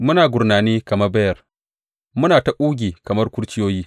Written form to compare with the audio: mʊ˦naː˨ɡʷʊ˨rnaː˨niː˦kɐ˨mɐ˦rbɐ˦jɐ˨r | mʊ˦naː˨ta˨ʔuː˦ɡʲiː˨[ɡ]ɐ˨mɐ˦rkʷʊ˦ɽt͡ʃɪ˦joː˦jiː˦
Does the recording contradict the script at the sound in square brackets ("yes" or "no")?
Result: yes